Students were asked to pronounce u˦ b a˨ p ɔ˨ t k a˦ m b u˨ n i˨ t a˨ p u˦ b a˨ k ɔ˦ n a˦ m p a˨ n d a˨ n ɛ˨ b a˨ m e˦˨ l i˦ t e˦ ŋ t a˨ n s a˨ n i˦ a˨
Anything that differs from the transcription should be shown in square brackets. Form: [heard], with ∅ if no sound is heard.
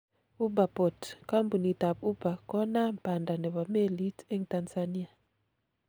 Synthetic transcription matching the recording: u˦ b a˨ p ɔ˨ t k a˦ m b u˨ n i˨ t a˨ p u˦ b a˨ k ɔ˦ n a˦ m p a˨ n d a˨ n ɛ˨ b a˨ m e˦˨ l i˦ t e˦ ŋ t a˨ n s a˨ n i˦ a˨